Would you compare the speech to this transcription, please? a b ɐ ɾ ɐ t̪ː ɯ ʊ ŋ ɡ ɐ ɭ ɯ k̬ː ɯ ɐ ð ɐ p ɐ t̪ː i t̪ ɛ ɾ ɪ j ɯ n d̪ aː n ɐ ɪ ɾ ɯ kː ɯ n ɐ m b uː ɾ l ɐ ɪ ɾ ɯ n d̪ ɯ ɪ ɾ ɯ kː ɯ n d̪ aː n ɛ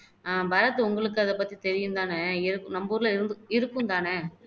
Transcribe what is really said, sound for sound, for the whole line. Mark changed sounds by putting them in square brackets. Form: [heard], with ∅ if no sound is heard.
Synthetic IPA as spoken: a b ɐ ɾ ɐ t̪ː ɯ ʊ ŋ ɡ ɐ ɭ ɯ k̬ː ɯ ɐ ð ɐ p ɐ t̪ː i t̪ ɛ ɾ ɪ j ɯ n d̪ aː n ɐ ɪ ɾ ɯ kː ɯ n ɐ m b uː ɾ l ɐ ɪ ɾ ɯ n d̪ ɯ ɪ ɾ ɯ kː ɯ n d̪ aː n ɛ